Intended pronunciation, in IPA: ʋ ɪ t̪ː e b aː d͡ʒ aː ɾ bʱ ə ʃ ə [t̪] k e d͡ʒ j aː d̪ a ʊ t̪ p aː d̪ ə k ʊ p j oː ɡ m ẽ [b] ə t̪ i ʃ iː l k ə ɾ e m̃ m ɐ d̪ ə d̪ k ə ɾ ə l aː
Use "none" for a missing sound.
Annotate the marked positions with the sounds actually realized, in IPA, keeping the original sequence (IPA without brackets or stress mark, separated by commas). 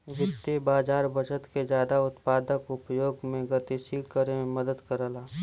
t̪, ɡ